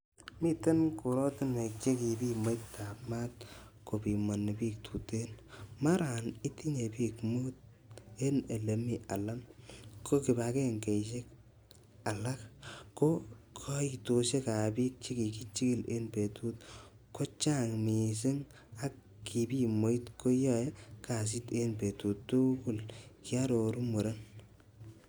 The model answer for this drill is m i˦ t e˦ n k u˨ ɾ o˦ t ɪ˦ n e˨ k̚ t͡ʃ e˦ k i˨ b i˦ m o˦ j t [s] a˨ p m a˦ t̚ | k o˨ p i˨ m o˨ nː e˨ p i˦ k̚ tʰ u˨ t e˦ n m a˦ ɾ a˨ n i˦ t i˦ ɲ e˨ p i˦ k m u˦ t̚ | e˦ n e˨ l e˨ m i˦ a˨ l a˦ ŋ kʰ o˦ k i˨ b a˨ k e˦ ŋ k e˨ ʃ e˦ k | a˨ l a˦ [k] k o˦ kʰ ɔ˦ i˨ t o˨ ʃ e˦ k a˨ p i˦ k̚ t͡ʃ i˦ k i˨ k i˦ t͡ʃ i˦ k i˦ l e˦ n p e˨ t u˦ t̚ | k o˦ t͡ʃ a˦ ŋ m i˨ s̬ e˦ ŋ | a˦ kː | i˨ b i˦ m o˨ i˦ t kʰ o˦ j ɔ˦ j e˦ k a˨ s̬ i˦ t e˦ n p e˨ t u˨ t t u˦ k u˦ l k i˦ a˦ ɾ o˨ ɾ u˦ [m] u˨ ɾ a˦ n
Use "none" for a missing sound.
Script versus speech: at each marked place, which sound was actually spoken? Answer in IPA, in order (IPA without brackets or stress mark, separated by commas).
t, k, m